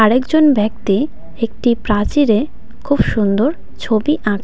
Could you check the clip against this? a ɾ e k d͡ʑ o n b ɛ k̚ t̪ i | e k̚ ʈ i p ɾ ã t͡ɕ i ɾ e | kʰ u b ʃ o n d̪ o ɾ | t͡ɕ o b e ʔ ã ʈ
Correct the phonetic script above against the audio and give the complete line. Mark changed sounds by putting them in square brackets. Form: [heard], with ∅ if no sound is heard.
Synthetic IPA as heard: a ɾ e k d͡ʑ o n b ɛ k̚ t̪ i | e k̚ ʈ i p ɾ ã t͡ɕ i ɾ e | kʰ u b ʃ [u] n d̪ o ɾ | [t͡ɕʰ] o b [i] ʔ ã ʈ